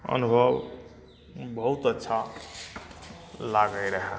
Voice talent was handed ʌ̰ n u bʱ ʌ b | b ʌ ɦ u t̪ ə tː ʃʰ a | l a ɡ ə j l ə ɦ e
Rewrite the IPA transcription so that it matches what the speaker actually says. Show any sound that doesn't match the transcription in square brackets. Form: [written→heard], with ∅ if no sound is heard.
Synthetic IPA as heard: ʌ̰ n u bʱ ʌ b | b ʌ ɦ u t̪ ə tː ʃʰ a | l a ɡ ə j [l→ɾ] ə ɦ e